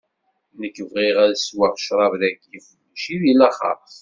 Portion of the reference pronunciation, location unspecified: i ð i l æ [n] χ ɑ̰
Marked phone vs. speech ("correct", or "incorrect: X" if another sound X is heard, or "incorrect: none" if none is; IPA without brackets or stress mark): incorrect: none